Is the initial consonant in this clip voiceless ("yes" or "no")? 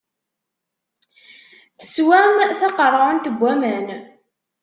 yes